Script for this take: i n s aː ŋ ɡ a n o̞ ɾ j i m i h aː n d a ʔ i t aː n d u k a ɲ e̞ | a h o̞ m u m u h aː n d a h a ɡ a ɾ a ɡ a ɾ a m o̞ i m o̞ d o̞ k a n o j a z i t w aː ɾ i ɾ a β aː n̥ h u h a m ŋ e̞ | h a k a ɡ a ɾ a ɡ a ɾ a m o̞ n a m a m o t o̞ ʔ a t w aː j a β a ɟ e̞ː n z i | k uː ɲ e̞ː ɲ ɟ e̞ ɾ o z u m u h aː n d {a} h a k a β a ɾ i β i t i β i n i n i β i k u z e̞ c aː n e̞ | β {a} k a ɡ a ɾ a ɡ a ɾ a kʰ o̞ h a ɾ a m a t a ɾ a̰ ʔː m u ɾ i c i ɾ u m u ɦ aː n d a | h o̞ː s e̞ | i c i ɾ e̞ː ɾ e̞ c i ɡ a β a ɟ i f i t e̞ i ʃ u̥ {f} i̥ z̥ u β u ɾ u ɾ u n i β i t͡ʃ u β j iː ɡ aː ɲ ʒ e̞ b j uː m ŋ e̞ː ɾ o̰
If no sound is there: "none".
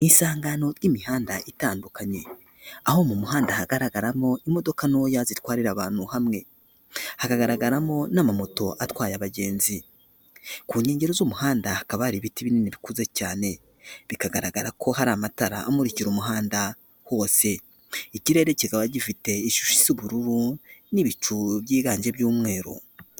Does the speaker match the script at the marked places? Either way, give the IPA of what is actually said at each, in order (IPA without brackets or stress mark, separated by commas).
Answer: a, i, ʃ